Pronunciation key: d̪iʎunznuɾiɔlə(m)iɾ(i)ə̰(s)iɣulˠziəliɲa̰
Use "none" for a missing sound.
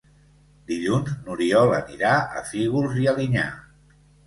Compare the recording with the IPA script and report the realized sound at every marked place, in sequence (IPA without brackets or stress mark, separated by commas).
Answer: n, a, f